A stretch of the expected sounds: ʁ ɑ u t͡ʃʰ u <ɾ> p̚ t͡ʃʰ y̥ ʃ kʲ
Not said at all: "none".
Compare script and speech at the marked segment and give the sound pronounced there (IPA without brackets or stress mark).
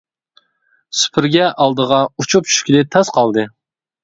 none